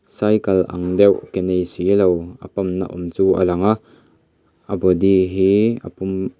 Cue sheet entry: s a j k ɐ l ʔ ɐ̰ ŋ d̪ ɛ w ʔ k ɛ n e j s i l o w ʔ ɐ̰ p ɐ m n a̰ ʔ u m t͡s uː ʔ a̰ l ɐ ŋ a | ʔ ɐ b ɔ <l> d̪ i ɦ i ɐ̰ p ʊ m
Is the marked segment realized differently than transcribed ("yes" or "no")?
yes